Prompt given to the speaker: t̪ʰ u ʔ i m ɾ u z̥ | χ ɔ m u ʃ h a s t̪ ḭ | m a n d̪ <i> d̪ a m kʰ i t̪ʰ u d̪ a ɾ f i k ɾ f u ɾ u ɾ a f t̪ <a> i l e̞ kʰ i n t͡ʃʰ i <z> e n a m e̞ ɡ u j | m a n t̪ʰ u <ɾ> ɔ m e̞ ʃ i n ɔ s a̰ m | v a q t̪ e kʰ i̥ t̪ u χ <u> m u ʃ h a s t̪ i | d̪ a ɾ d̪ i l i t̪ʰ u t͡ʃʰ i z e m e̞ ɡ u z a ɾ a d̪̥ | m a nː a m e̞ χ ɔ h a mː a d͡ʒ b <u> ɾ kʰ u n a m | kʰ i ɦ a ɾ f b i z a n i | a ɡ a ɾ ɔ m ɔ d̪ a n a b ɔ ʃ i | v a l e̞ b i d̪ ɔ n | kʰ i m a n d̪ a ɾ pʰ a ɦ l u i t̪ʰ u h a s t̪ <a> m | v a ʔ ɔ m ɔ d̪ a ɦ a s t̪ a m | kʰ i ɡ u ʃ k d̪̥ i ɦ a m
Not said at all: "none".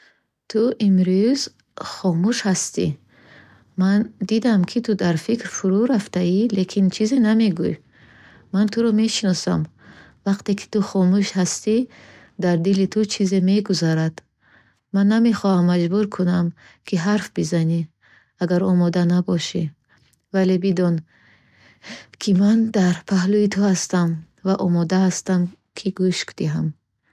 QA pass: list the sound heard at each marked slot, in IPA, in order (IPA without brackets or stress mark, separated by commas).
i, a, z, ɾ, ɔ, u, a